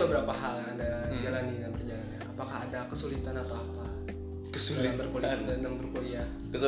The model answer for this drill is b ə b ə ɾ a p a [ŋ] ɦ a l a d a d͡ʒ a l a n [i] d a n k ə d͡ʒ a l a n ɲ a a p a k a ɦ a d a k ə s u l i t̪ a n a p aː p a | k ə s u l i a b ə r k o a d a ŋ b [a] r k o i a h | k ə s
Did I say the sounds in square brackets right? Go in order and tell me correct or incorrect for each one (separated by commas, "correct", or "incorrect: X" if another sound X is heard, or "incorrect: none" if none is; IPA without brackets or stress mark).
incorrect: none, correct, incorrect: ə